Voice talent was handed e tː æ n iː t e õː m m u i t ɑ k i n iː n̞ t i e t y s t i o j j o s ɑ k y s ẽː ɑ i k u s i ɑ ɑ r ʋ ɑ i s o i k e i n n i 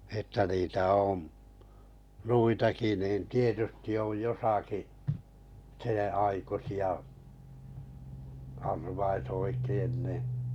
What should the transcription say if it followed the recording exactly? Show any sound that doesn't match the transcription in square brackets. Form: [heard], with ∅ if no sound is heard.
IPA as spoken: e tː æ n iː t [æ] õː m [n] u i t ɑ k i n iː n̞ t i e t y s t i o j j o s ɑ k [i] s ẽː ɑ i k u s i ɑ ɑ r ʋ ɑ i s o i k e i n n i